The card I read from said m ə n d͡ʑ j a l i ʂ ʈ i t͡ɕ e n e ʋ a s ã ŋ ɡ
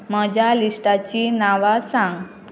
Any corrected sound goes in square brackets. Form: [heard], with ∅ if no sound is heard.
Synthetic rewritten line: m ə [∅] d͡ʑ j a l i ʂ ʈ [a] t͡ɕ [i] n [a] ʋ a s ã ŋ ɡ

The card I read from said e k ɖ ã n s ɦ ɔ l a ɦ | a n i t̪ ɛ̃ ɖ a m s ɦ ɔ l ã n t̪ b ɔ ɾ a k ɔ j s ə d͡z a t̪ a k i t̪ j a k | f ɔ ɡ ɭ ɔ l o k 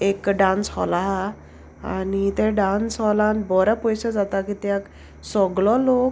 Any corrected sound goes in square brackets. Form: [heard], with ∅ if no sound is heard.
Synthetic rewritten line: e k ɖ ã n s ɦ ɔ l a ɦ | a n i t̪ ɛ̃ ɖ a [n] s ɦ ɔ l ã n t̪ b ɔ ɾ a [p] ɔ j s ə d͡z a t̪ a k i t̪ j a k | [s] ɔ ɡ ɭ ɔ l o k

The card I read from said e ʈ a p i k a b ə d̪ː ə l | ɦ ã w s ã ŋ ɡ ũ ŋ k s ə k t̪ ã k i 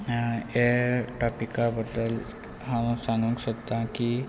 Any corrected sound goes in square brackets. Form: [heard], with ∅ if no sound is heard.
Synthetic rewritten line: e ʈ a p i k a b ə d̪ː ə l | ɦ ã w s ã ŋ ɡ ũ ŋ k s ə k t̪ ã k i

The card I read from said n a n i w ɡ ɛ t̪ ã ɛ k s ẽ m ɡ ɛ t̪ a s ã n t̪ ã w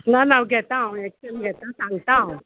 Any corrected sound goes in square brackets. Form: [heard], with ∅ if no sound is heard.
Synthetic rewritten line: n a n [a] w ɡ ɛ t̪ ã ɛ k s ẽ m ɡ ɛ t̪ a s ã [ŋ] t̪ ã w

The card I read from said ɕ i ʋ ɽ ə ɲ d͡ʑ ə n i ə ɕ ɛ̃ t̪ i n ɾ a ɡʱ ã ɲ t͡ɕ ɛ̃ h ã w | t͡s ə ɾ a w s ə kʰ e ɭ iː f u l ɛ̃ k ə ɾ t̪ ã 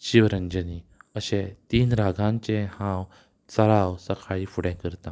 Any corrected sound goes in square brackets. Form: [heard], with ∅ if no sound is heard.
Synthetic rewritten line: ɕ i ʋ [ɾ] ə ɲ d͡ʑ ə n i ə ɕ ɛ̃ t̪ [iː] n ɾ a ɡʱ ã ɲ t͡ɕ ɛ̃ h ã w | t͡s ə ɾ a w s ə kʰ [a] ɭ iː f u [ɽ] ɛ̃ k ə ɾ t̪ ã

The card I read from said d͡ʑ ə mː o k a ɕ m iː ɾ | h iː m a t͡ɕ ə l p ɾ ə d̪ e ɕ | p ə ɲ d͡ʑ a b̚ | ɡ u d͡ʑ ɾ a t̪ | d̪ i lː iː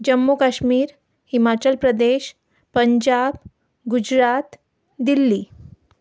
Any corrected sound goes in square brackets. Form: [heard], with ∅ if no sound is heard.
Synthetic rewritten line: d͡ʑ ə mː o k a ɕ m iː ɾ | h [i] m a t͡ɕ ə l p ɾ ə d̪ e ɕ | p ə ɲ d͡ʑ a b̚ | ɡ u d͡ʑ ɾ a t̪ | d̪ i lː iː

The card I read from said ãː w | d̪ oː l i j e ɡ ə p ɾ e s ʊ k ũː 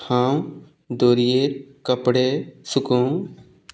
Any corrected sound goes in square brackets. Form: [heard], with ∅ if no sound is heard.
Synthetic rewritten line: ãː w | d̪ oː [ɾ] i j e [k] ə p [ɽ] e s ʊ k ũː

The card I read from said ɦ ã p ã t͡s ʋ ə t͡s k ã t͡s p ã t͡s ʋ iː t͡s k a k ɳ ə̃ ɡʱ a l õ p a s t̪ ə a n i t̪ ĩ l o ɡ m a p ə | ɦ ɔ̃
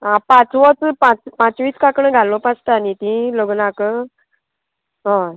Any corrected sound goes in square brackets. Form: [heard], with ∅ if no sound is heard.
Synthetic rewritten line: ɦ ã p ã t͡s ʋ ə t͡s [p] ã t͡s p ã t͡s ʋ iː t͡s k a k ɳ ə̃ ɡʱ a l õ p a s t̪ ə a n i t̪ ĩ l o ɡ [n] a [k] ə | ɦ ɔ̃

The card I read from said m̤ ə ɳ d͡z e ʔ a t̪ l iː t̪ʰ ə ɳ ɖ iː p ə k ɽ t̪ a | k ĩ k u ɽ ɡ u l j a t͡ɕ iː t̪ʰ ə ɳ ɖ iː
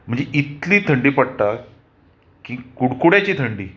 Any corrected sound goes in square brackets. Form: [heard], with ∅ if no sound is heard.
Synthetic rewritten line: m̤ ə ɳ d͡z e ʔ [i] t̪ l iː t̪ʰ ə ɳ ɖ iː p ə [∅] ɽ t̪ a | k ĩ k u ɽ [k] u [ɽ] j a t͡ɕ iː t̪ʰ ə ɳ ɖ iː

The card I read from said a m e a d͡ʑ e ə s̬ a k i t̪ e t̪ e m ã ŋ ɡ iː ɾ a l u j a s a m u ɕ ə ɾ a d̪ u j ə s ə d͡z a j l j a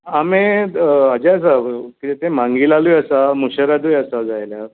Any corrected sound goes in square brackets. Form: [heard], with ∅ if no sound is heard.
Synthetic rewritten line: a m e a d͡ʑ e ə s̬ a k i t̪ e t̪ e m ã ŋ ɡ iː [l] a l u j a s a m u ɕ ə ɾ a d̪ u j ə s [a] d͡z a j l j a

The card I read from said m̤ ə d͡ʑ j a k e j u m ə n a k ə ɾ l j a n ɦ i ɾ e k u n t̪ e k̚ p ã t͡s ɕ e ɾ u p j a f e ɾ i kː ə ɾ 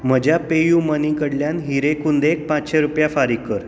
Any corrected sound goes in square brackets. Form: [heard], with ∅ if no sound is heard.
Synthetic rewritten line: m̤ ə d͡ʑ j a [p] e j u m ə n [i] k ə [ɽ] l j a n ɦ i ɾ e k u n [d̪] e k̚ p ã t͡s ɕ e ɾ u p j a f [a] ɾ i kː ə ɾ

